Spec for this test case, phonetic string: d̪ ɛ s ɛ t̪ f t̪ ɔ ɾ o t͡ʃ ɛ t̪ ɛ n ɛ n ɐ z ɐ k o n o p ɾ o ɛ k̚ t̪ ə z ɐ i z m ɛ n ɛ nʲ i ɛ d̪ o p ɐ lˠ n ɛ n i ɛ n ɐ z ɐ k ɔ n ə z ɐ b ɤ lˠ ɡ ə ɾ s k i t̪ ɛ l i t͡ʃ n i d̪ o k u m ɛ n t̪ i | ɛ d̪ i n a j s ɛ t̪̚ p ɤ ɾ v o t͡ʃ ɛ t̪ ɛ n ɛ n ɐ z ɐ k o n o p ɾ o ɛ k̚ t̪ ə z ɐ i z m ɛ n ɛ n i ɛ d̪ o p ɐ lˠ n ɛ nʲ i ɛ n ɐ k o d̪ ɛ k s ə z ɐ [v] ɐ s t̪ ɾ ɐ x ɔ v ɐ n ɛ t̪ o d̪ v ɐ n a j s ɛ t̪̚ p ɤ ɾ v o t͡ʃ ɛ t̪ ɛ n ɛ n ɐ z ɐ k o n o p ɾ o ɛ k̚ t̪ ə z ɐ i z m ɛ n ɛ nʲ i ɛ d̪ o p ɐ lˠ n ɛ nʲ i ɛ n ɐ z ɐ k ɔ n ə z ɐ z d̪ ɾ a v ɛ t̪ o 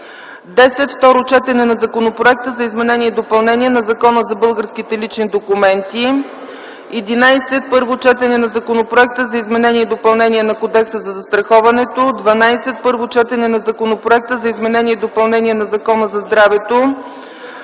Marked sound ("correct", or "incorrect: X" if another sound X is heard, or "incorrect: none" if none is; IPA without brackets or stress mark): incorrect: z